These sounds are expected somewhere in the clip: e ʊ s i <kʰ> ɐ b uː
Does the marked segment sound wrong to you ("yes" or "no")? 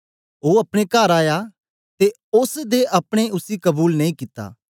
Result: yes